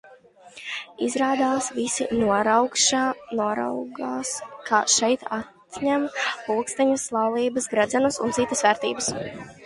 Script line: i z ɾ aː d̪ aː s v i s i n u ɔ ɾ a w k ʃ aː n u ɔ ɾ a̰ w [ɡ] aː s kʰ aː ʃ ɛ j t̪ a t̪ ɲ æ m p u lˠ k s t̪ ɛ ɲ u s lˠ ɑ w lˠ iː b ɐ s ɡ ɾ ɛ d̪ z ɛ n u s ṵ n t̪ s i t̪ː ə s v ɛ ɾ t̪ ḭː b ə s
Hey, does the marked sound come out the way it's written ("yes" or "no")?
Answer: yes